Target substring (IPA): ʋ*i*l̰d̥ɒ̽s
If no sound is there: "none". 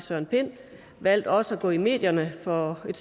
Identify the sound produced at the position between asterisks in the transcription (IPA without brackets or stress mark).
æ